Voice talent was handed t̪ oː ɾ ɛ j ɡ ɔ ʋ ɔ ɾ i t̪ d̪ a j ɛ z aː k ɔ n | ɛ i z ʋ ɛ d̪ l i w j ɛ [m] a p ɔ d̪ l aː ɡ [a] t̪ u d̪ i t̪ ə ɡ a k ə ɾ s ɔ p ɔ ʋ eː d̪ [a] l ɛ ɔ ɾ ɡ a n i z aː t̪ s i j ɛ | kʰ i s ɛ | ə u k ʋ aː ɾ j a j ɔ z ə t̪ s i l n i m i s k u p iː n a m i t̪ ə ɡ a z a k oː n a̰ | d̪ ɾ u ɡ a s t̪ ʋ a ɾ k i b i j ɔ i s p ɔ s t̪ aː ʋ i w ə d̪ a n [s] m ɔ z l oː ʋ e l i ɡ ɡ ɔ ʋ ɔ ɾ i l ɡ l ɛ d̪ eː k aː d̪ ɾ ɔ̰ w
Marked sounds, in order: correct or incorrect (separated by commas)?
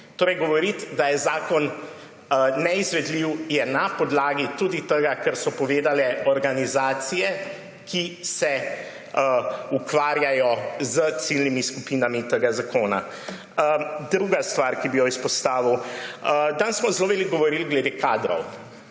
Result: incorrect, incorrect, correct, correct